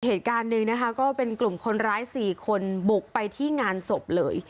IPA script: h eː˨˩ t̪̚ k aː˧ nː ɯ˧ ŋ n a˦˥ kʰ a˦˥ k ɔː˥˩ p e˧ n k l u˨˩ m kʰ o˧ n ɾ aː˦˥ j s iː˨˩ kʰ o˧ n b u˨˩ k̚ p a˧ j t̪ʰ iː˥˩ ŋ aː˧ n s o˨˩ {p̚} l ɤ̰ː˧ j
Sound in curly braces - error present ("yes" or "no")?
no